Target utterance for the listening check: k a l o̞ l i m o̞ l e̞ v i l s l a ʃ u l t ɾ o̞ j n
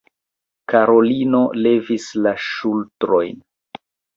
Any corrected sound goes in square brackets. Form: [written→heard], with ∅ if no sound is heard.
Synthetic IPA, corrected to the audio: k a [l→ɾ] o̞ l i [m→n] o̞ l e̞ v i [l→∅] s l a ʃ u l t ɾ o̞ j n